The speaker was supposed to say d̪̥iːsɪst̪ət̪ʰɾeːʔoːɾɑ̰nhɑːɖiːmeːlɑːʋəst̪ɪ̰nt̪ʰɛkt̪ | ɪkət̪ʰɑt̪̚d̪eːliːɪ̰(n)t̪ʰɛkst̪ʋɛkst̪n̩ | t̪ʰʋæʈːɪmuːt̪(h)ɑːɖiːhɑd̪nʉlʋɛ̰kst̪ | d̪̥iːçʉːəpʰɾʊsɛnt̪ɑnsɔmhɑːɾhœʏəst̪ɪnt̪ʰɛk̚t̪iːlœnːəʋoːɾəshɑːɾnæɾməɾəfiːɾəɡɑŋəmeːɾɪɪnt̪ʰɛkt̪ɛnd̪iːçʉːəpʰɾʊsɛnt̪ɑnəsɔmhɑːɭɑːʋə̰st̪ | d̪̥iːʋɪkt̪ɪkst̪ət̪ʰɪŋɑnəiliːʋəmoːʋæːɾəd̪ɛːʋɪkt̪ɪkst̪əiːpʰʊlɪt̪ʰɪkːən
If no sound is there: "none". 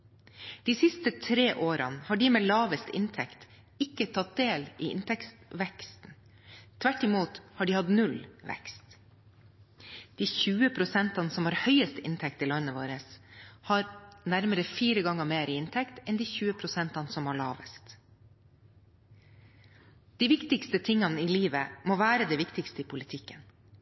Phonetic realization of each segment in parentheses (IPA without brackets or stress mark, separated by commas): n, h